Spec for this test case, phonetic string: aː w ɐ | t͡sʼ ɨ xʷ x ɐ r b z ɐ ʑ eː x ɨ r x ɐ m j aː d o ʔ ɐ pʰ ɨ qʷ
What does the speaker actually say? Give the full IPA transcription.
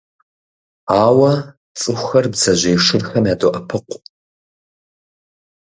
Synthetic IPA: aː w ɐ | t͡sʼ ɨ xʷ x ɐ r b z ɐ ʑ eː ʂ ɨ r x ɐ m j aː d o ʔ ɐ pʰ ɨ qʷ